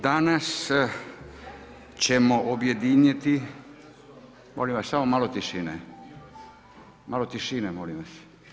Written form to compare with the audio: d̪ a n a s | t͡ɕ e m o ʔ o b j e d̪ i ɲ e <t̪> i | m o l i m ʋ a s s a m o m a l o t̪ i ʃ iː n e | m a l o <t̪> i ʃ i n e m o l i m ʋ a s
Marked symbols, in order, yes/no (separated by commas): yes, yes